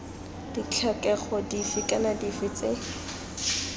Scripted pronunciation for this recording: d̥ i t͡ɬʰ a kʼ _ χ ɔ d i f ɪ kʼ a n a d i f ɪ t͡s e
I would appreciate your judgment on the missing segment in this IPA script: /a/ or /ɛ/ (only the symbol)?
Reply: ɛ